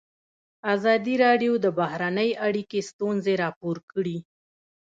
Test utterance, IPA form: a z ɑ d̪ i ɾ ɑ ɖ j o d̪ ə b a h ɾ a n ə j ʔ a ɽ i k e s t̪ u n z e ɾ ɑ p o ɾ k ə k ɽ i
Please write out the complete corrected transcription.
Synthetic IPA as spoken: a z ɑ d̪ i ɾ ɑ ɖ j o d̪ ə b a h ɾ a n ə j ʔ a ɽ i k e s t̪ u n z e ɾ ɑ p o ɾ k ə ɽ i